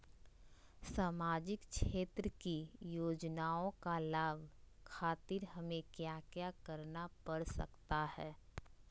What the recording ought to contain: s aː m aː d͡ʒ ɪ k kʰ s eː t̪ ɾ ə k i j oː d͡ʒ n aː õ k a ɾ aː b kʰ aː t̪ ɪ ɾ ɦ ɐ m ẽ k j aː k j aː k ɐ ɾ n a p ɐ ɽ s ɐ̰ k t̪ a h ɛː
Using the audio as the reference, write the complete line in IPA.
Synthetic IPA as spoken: s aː m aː d͡ʒ ɪ k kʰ ʃ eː t̪ ɾ ə k i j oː d͡ʒ n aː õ k a l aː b kʰ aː t̪ ɪ ɾ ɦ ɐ m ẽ k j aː k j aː k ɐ ɾ n a p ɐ ɽ s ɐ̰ k t̪ a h ɛː